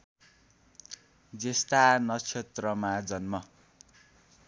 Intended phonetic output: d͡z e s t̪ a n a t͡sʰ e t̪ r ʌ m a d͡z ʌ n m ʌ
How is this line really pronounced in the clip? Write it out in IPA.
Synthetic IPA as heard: d͡z e s t̪ a n ʌ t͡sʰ e t̪ r ʌ m a d͡z ʌ n m ʌ